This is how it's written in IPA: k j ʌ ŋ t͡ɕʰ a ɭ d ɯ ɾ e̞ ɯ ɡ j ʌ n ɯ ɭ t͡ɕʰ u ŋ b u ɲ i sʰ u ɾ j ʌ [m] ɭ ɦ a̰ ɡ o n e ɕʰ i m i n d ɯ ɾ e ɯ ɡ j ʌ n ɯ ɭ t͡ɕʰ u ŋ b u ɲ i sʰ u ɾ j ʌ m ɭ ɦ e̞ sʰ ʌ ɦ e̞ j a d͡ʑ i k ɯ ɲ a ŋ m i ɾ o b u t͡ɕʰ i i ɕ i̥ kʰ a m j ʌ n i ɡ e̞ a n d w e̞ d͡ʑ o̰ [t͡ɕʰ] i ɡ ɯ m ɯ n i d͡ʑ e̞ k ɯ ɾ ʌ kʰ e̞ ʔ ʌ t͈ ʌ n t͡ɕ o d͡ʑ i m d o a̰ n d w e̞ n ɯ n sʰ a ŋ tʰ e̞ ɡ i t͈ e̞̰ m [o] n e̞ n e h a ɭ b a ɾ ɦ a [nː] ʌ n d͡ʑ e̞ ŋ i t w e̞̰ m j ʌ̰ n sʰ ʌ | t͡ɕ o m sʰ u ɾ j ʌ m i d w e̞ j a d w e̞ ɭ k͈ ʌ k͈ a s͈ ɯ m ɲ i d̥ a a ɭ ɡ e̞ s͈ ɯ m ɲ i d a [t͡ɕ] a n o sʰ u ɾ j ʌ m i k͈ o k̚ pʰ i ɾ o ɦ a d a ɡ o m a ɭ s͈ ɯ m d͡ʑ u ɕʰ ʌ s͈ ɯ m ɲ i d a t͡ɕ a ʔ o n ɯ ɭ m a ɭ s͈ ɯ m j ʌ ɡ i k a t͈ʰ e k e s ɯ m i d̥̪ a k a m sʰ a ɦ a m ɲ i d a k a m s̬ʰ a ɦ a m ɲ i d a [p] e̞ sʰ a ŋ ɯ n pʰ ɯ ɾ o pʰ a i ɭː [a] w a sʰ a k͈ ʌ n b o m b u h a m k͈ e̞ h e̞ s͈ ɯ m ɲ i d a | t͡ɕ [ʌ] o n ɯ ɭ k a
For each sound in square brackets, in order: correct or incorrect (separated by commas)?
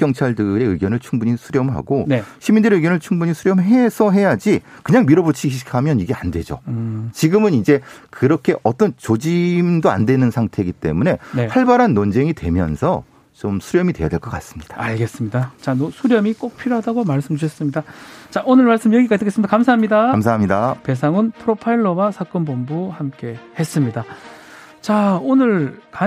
correct, incorrect, incorrect, correct, correct, correct, incorrect, incorrect